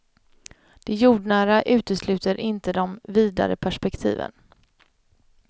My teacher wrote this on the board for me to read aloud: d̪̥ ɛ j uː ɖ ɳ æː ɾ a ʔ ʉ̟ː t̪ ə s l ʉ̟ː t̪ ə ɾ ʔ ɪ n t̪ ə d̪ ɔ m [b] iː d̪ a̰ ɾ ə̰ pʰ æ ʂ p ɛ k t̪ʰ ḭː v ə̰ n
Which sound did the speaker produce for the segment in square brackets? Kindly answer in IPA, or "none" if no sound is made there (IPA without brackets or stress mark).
v